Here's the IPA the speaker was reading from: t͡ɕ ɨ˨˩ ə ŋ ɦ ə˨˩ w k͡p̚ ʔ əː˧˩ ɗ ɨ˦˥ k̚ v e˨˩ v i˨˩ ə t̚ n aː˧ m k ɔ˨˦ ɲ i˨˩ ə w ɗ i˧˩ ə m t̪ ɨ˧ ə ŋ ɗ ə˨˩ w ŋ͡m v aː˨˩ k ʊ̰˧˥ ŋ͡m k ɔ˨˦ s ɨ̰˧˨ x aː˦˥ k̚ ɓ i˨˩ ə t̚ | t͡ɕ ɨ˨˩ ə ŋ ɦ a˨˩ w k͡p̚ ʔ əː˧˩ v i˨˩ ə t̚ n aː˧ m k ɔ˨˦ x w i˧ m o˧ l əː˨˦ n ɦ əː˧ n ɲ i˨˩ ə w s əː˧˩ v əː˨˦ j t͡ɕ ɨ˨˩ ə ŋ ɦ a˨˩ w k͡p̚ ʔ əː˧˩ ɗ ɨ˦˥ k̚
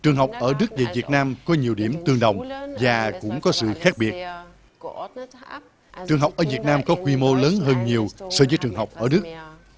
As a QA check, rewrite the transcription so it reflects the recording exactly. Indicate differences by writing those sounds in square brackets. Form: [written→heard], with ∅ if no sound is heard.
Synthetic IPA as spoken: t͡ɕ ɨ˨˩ ə ŋ ɦ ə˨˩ w k͡p̚ ʔ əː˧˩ ɗ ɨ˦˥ k̚ v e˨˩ v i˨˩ ə t̚ n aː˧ m k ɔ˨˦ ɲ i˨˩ ə w ɗ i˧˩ ə m t̪ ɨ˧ ə ŋ ɗ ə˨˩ w ŋ͡m v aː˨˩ k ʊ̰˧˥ ŋ͡m k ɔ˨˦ s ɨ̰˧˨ x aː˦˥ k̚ ɓ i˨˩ ə t̚ | t͡ɕ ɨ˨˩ ə ŋ ɦ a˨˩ w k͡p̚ ʔ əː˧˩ v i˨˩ ə t̚ n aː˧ m k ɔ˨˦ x w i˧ m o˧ l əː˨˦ n ɦ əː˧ n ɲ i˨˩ ə w s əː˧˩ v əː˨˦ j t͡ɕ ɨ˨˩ ə ŋ ɦ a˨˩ w k͡p̚ ʔ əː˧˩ ɗ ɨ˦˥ k̚

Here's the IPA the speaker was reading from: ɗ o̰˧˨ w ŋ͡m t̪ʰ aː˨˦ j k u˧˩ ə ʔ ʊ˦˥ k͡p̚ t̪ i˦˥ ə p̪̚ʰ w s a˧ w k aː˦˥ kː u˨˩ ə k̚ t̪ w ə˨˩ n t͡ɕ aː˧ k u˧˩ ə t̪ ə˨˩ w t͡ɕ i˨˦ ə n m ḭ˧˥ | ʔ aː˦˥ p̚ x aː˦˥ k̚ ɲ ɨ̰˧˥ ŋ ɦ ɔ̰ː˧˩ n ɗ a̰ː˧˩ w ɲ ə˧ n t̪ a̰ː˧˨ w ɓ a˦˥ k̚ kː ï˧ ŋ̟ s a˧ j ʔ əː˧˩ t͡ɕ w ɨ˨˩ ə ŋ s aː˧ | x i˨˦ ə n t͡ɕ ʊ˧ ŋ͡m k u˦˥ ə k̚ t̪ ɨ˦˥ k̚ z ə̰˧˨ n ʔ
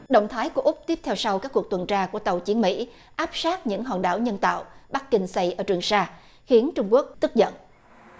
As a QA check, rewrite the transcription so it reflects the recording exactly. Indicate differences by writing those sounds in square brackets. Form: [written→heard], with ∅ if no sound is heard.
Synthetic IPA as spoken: ɗ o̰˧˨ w ŋ͡m t̪ʰ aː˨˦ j k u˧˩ ə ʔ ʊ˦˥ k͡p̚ t̪ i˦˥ ə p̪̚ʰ w s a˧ w k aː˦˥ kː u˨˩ ə k̚ t̪ w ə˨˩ n t͡ɕ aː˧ k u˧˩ ə t̪ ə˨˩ w t͡ɕ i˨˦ ə n m ḭ˧˥ | ʔ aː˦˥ p̚ [x→s] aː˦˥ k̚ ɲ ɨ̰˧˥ ŋ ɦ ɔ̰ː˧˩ n ɗ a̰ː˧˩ w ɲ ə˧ n t̪ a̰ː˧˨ w ɓ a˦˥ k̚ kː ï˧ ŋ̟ s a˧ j ʔ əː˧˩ t͡ɕ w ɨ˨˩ ə ŋ s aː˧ | x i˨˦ ə n t͡ɕ ʊ˧ ŋ͡m k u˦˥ ə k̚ t̪ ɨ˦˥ k̚ z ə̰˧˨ n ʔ

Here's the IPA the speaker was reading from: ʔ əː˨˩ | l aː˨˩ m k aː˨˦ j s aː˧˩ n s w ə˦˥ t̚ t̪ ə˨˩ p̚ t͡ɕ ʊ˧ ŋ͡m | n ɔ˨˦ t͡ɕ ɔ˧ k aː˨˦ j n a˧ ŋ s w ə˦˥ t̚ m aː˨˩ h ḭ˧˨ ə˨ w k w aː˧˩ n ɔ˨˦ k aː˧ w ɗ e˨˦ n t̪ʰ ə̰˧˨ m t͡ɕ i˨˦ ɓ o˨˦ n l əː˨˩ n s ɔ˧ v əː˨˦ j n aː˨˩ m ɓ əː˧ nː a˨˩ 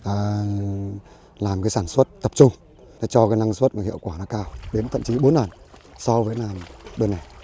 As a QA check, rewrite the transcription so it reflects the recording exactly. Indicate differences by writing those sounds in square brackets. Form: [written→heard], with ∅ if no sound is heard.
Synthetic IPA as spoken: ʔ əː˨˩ | l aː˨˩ m k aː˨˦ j s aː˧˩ n s w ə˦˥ t̚ t̪ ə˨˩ p̚ t͡ɕ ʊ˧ ŋ͡m | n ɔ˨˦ t͡ɕ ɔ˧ k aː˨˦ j n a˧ ŋ s w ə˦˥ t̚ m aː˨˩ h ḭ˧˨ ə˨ w k w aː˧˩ n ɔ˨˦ k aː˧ w ɗ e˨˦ n t̪ʰ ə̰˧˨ m t͡ɕ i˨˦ ɓ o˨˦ n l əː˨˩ n s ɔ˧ v əː˨˦ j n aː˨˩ m ɓ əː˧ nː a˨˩

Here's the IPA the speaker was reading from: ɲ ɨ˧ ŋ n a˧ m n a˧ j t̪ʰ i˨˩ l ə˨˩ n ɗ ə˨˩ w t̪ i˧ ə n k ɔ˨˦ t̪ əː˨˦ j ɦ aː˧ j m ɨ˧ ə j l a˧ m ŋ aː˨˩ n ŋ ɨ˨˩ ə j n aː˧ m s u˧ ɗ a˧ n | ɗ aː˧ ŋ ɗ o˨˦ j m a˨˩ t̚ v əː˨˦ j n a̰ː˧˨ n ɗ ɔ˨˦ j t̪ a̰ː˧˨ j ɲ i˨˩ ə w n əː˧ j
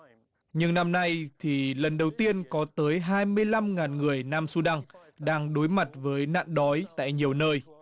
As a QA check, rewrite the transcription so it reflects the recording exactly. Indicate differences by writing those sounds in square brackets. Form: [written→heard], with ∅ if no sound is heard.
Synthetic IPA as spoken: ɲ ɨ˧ ŋ n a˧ m n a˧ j t̪ʰ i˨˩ l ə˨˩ n ɗ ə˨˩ w t̪ i˧ ə n k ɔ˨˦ t̪ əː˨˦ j ɦ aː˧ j m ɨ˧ ə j l a˧ m ŋ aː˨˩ n ŋ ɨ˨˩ ə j n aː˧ m s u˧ ɗ a˧ [n→ŋ] | ɗ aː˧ ŋ ɗ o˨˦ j m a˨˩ t̚ v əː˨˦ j n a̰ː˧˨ n ɗ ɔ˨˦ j t̪ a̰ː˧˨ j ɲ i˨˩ ə w n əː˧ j

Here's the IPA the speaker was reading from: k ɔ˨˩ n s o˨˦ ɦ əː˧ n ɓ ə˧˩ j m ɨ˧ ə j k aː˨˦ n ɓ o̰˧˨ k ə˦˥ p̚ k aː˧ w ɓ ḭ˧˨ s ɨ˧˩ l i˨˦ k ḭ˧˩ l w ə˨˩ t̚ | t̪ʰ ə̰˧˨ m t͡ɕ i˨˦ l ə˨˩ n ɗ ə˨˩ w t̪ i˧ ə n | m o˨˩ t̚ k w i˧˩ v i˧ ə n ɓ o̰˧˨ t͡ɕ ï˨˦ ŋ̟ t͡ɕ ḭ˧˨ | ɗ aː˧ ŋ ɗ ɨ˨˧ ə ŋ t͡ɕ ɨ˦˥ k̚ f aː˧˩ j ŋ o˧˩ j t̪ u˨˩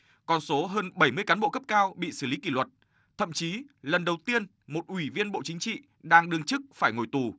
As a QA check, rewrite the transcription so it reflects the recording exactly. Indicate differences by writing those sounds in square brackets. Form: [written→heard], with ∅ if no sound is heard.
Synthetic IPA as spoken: k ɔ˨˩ n s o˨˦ ɦ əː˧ n ɓ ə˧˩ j m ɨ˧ ə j k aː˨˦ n ɓ o̰˧˨ k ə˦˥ p̚ k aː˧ w ɓ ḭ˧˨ s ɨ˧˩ l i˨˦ k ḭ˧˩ l w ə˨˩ t̚ | t̪ʰ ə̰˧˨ m t͡ɕ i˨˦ l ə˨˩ n ɗ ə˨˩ w t̪ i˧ ə n | m o˨˩ t̚ [k→ʔ] w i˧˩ v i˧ ə n ɓ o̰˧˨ t͡ɕ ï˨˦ ŋ̟ t͡ɕ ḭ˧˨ | ɗ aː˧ ŋ ɗ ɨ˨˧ ə ŋ t͡ɕ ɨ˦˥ k̚ f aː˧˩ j ŋ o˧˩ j t̪ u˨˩

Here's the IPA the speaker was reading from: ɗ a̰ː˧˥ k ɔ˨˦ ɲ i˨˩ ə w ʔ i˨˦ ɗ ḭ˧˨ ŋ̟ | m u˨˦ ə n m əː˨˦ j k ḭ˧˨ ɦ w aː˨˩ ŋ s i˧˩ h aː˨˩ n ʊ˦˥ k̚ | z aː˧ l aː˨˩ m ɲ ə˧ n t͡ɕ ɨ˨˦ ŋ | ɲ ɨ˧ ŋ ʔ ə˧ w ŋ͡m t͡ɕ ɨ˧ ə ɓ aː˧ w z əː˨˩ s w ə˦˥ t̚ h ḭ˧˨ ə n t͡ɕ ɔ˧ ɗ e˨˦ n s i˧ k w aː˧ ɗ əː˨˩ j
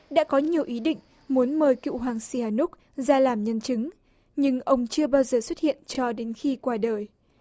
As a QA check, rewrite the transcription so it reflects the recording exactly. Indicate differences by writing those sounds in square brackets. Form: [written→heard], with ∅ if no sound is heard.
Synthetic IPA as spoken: ɗ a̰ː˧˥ k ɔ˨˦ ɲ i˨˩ ə w ʔ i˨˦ ɗ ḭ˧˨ ŋ̟ | m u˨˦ ə n m [əː˨˦→əː˨˩] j k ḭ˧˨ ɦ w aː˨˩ ŋ s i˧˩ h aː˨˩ n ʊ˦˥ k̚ | z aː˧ l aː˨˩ m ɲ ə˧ n t͡ɕ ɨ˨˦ ŋ | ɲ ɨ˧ ŋ ʔ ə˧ w ŋ͡m t͡ɕ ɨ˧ ə ɓ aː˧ w z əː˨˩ s w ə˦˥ t̚ h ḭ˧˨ ə n t͡ɕ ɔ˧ ɗ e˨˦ n [s→x] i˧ k w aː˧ ɗ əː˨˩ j

